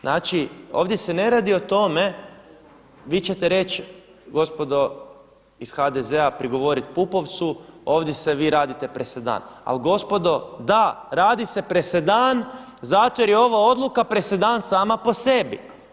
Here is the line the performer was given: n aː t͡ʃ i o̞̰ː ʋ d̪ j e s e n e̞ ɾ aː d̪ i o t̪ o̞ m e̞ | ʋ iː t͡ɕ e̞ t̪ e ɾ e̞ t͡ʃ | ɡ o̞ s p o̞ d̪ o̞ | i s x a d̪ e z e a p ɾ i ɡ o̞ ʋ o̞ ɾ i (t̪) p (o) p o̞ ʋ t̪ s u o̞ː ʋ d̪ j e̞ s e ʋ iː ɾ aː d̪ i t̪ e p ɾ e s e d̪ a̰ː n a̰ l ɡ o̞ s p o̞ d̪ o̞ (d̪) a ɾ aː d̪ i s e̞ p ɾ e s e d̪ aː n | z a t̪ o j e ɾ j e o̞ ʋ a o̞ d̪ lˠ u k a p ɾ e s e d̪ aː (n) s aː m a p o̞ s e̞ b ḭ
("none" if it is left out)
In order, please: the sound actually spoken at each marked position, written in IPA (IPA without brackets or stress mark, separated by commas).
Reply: t̪, u, d̪, n